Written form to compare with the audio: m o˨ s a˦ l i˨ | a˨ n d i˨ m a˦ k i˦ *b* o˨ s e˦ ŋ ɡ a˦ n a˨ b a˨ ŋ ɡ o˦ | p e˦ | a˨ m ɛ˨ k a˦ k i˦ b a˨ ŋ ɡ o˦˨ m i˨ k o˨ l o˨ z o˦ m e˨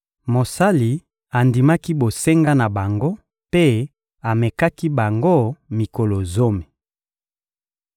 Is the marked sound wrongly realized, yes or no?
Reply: no